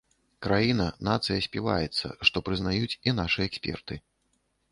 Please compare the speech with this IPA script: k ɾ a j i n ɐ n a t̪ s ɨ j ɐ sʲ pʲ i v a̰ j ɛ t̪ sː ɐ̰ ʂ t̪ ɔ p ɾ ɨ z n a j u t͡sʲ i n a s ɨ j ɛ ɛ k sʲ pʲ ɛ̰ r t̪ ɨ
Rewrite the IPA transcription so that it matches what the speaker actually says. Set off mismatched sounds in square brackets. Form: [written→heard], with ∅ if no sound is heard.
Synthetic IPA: k ɾ a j i n ɐ n a t̪ s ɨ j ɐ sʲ pʲ i v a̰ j ɛ t̪ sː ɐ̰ ʂ t̪ ɔ p ɾ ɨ z n a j u t͡sʲ i n a [s→ʂ] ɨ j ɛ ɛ k sʲ pʲ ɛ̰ r t̪ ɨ